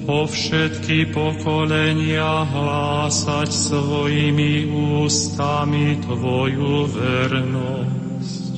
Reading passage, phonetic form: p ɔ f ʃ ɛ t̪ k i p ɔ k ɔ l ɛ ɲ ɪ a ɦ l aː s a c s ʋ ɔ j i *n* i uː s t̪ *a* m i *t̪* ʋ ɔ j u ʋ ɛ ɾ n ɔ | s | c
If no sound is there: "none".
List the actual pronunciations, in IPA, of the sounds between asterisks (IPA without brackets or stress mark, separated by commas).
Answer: m, a, t̪